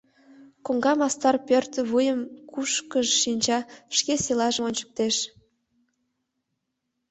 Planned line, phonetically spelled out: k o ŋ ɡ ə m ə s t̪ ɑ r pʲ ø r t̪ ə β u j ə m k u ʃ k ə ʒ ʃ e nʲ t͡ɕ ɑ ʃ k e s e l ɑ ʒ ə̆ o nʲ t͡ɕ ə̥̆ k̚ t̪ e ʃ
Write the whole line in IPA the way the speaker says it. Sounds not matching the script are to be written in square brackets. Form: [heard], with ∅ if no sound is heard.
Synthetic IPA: k o ŋ ɡ [ɑ] m [ɑ] s t̪ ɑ r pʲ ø r t̪ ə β u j ə m k u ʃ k ə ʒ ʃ [i] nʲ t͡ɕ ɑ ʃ k e s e l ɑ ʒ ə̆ o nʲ t͡ɕ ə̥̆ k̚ t̪ e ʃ